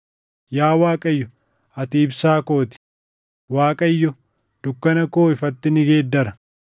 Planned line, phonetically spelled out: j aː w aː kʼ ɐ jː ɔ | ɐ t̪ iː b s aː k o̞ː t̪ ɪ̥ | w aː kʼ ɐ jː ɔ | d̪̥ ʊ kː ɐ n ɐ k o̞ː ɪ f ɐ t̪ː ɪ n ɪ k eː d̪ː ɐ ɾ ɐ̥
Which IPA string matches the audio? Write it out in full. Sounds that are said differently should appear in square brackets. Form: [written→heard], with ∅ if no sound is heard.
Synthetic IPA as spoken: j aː w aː kʼ ɐ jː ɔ | ɐ t̪ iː b s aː k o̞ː t̪ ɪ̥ | w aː kʼ ɐ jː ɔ | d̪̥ ʊ kː ɐ n ɐ k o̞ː ɪ f ɐ t̪ː ɪ n ɪ [k→ɡ] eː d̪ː ɐ ɾ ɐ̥